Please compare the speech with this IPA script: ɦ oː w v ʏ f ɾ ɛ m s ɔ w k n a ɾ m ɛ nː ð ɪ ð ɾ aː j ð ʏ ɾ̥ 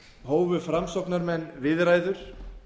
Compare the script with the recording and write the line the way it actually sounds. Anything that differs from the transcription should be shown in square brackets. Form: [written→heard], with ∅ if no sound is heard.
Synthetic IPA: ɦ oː w v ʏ f ɾ [ɛ→a] m s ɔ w k n a ɾ m ɛ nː [ð→v] ɪ ð ɾ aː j ð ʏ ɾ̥